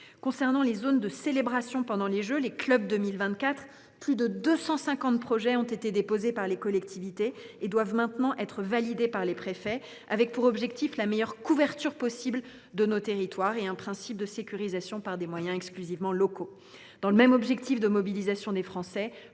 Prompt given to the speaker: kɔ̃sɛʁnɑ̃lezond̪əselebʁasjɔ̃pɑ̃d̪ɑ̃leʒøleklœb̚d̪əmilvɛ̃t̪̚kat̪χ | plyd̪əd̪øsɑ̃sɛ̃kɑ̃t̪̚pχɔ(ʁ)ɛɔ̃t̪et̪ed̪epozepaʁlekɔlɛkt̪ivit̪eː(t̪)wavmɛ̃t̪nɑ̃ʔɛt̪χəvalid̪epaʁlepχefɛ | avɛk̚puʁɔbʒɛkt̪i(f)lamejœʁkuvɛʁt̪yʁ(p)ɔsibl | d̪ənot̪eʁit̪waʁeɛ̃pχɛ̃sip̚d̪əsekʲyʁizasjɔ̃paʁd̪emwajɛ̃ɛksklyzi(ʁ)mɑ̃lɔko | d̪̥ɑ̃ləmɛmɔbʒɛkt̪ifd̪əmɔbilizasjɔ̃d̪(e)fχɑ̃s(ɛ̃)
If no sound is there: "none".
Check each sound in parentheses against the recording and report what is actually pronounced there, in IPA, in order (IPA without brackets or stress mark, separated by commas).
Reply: ʒ, d̪, f, p, v, e, ɛ